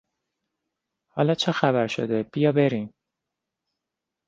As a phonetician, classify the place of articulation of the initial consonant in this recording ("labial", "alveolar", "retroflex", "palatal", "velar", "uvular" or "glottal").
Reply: glottal